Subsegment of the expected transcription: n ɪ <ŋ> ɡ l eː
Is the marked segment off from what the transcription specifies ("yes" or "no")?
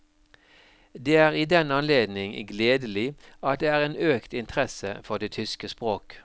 no